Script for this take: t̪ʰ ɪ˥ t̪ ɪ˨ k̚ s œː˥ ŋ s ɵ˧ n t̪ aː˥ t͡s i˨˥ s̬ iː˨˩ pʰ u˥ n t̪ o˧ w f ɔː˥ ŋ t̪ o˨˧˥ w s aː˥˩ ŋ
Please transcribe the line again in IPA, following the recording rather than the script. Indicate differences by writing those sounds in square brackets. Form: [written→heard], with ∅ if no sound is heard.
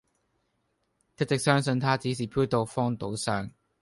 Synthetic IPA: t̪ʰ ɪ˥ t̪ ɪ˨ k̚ s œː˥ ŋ s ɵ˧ n [t̪→t̪ʰ] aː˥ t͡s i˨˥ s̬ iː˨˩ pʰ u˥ [n→∅] t̪ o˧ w f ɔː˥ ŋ t̪ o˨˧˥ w s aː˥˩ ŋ